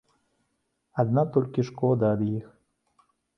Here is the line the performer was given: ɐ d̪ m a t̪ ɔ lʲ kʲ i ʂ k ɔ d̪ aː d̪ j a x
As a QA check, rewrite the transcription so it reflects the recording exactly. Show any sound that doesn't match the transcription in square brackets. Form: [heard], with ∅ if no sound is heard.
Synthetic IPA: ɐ d̪ [n] a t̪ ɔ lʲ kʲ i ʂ k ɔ d̪ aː d̪ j [i] x